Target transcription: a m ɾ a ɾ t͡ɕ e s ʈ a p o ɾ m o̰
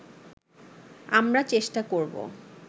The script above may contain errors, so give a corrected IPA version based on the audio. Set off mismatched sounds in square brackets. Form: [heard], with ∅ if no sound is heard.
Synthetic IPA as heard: a m ɾ a [∅] t͡ɕ e [ʃ] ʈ a [k] o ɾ [b] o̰

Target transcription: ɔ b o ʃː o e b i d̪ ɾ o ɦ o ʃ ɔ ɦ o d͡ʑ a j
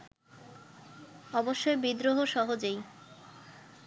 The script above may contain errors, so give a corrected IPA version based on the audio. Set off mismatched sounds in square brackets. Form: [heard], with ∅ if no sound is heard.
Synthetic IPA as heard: ɔ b o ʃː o e b i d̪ ɾ o ɦ o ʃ ɔ ɦ o d͡ʑ [e] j

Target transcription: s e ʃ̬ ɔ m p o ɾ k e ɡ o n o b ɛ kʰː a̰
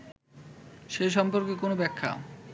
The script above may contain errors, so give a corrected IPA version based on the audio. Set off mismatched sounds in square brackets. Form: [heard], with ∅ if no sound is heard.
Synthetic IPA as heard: [ʃ] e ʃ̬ ɔ m p o ɾ k e [k] o n o b ɛ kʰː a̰

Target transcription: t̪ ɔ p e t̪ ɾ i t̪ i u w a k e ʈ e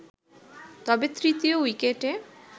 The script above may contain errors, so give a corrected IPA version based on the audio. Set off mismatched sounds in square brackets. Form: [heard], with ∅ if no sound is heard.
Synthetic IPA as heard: t̪ ɔ [b] e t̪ ɾ i t̪ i [o] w [i] k e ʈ e

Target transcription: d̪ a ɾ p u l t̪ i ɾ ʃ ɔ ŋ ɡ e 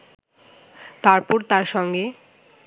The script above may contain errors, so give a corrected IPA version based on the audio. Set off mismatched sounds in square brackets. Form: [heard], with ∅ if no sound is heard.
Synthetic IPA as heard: [t̪] a ɾ p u [ɾ] t̪ [a] ɾ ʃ ɔ ŋ ɡ e

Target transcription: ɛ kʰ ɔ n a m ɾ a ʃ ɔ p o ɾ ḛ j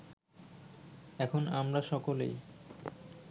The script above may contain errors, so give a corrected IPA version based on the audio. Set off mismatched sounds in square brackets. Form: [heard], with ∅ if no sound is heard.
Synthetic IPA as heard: ɛ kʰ [o] n a m ɾ a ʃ ɔ [k] o [l] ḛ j

